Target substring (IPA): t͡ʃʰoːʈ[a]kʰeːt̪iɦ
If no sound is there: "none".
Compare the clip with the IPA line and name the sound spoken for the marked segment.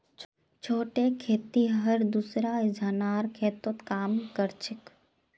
e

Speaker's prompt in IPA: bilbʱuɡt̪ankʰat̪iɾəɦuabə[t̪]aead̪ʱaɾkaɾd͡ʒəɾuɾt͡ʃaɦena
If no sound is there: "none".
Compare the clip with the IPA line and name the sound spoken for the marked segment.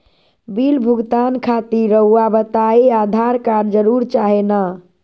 t̪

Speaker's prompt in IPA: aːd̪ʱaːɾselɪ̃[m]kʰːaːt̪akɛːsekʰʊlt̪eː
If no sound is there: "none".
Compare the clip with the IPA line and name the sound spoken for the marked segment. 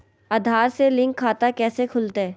ŋ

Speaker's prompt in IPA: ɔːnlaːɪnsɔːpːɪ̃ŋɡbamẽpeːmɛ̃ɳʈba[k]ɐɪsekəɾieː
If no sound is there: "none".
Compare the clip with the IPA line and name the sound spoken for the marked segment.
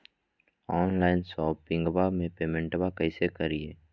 k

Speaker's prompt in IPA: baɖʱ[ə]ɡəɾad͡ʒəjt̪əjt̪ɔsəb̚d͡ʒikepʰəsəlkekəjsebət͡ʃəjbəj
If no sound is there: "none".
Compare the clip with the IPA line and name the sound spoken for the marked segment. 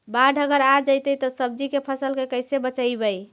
ə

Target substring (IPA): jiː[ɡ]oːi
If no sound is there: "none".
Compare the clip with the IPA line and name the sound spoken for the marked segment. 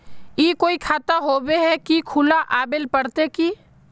k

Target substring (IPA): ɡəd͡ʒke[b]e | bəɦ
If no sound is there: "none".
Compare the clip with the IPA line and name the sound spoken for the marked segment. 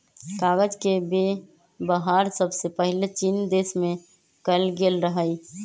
b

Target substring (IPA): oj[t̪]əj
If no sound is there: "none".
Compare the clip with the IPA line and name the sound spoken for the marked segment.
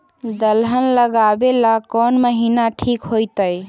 t̪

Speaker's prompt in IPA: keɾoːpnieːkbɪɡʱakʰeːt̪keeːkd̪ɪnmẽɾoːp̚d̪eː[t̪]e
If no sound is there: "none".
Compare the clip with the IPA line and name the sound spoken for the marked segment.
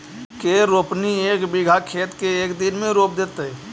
t̪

